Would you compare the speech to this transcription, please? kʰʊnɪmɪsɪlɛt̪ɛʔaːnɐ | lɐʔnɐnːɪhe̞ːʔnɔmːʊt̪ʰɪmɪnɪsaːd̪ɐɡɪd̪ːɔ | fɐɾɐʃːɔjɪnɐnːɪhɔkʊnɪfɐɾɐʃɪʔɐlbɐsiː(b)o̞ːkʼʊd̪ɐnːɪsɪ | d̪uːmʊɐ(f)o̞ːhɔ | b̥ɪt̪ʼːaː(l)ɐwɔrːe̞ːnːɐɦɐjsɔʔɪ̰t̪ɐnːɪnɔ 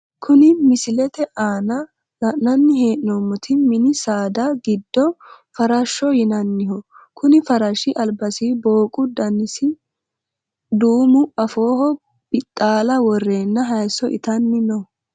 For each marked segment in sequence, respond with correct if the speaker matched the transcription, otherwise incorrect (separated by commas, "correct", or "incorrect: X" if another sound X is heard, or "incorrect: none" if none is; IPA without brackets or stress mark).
correct, correct, correct